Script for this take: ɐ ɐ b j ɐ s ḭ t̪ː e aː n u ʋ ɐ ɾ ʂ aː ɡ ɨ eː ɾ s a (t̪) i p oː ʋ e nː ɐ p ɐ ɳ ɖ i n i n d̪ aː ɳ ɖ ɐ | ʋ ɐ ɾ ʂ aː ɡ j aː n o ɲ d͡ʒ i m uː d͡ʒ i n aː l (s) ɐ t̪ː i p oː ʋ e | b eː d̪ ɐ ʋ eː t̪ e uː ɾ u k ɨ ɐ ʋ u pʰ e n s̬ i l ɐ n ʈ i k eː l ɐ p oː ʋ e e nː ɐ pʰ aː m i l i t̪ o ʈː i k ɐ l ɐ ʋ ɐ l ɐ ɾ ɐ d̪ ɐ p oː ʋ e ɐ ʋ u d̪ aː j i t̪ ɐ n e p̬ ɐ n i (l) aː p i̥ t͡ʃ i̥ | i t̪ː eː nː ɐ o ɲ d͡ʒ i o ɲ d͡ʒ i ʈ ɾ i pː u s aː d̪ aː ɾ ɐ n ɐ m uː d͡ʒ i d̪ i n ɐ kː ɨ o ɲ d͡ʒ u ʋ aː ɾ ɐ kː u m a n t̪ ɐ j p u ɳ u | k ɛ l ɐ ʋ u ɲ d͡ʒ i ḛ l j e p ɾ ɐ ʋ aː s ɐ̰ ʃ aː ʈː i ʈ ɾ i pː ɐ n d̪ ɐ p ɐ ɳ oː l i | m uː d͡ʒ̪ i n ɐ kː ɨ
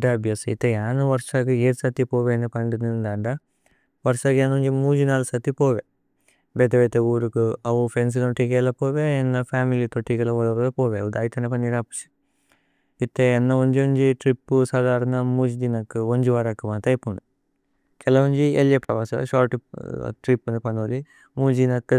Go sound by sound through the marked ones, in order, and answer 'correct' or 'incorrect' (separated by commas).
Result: correct, correct, incorrect